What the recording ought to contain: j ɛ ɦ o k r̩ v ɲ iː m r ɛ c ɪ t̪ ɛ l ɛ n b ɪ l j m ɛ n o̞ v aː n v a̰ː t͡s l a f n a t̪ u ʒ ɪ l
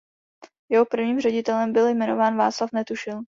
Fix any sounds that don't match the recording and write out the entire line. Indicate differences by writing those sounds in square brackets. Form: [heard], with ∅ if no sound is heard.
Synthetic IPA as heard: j ɛ ɦ o [p] r̩ v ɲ iː m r ɛ [ɟ] ɪ t̪ ɛ l ɛ [m] b ɪ l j m ɛ n o̞ v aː n v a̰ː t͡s l a f n [ɛ] t̪ u [ʃ] ɪ l

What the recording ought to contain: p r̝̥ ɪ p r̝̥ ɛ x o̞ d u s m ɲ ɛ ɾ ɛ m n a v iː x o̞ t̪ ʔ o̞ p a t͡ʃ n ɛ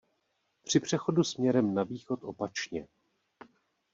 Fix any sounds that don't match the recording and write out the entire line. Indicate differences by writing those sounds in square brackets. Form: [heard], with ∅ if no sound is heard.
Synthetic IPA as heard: p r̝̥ ɪ p r̝̥ ɛ x o̞ d u s m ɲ ɛ ɾ ɛ m n a v iː x o̞ t̪ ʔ o̞ p a t͡ʃ [ɲ] ɛ

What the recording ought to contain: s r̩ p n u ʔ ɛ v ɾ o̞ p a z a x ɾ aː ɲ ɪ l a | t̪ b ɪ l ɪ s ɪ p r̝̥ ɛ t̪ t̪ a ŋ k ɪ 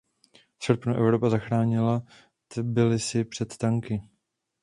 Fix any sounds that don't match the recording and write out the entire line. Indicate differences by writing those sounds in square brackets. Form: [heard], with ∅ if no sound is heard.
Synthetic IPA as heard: s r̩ p n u ʔ ɛ v ɾ o̞ p a z a x ɾ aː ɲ ɪ l a | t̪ b ɪ l ɪ s ɪ p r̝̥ ɛ t̪ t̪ a ŋ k ɪ

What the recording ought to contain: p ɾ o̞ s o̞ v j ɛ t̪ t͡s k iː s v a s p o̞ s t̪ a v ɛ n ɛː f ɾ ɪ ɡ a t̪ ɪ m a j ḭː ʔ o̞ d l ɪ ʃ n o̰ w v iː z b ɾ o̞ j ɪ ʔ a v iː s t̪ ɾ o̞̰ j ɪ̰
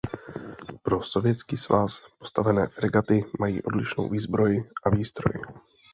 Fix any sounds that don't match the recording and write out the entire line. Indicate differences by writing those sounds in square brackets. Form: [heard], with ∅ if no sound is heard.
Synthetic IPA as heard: p ɾ o̞ s o̞ v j ɛ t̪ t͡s k iː s v a s p o̞ s t̪ a v ɛ n ɛː f ɾ ɪ ɡ a t̪ ɪ m a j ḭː ʔ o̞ d l ɪ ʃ n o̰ w v iː z b ɾ o̞ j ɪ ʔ a v iː s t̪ ɾ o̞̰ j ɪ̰

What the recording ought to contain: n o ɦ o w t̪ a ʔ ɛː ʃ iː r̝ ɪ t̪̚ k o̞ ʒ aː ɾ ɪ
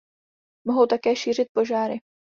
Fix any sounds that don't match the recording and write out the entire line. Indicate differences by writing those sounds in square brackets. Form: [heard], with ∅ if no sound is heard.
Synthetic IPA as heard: [m] o ɦ o w t̪ a [k] ɛː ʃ iː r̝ ɪ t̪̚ [p] o̞ ʒ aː ɾ ɪ

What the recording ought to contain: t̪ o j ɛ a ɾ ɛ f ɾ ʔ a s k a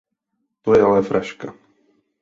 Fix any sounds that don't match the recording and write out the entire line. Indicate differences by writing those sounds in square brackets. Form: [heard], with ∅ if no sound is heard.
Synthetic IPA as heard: t̪ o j ɛ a [l] ɛ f ɾ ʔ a [ʃ] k a

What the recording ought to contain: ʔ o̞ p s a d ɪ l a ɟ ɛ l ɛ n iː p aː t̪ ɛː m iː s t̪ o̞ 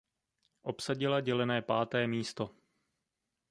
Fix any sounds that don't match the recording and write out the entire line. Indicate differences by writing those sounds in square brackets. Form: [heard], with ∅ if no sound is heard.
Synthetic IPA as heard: ʔ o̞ p s a [ɟ] ɪ l a ɟ ɛ l ɛ n [ɛː] p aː t̪ ɛː m iː s t̪ o̞

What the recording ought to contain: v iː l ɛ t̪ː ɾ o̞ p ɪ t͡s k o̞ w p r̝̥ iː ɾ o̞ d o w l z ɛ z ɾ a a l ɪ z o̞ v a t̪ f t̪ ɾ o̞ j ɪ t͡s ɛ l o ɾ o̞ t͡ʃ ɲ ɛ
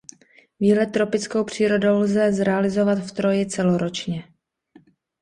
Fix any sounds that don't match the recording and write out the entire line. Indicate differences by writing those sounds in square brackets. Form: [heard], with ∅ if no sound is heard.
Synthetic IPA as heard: v iː l ɛ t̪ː ɾ o̞ p ɪ t͡s k o̞ w p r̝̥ iː ɾ o̞ d o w l z ɛ z ɾ [ɛ] a l ɪ z o̞ v a t̪ f t̪ ɾ o̞ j ɪ t͡s ɛ l o ɾ o̞ t͡ʃ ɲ ɛ

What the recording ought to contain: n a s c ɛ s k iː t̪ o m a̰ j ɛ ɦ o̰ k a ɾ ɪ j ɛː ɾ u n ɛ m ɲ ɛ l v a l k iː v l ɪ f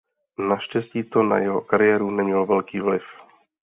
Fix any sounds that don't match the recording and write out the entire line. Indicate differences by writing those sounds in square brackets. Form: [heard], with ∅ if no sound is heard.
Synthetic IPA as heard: n a [ʃ] c ɛ s [c] iː t̪ o [n] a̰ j ɛ ɦ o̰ k a ɾ ɪ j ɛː ɾ u n ɛ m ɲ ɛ l v [ɛ] l k iː v l ɪ f

